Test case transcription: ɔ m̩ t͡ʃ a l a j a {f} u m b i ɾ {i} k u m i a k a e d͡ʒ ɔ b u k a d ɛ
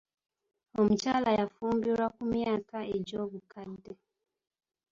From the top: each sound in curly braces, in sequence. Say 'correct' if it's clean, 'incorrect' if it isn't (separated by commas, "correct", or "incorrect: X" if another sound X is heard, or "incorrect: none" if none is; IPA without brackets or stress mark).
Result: correct, incorrect: a